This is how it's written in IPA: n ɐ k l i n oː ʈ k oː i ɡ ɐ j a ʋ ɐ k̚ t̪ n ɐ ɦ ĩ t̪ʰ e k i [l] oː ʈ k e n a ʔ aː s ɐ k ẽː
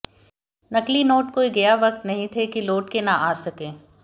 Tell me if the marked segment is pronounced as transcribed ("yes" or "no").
yes